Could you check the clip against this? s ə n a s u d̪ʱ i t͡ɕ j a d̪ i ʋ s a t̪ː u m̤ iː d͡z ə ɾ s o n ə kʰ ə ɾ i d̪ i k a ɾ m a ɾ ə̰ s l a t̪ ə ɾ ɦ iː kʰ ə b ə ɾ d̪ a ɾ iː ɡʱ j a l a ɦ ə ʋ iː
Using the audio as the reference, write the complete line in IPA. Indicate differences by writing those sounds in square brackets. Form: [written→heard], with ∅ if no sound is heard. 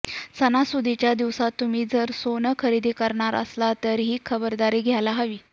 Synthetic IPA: s ə n a s u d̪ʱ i t͡ɕ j a d̪ i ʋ s a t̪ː u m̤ iː d͡z ə ɾ s o n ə kʰ ə ɾ i d̪ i k [a→ə] ɾ [m→ɳ] a ɾ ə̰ s l a t̪ ə ɾ ɦ iː kʰ ə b ə ɾ d̪ a ɾ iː ɡʱ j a l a ɦ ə ʋ iː